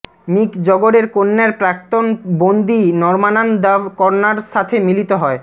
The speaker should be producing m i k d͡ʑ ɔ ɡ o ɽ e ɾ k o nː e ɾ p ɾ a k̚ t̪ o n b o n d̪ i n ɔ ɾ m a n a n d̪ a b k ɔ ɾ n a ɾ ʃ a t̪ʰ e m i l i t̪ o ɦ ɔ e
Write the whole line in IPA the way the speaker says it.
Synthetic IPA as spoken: m i k d͡ʑ ɔ ɡ o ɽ e ɾ k o nː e ɾ p ɾ a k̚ t̪ o n b o n d̪ i n ɔ ɾ m a n a n d̪ a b k ɔ ɾ n a ɾ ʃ a t̪ʰ e m i l i t̪ o ɦ ɔ e